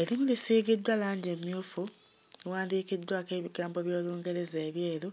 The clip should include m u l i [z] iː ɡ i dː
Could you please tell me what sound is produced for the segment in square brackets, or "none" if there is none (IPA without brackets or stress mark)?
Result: s